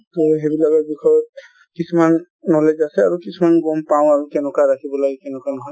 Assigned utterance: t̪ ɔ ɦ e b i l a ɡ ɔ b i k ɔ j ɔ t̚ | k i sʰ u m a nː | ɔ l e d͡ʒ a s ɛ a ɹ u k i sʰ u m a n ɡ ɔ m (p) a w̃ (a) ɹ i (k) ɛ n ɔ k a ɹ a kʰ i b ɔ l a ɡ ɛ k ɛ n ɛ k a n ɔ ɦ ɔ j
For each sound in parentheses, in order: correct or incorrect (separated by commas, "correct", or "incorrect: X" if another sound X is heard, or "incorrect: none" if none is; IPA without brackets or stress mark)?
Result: correct, correct, correct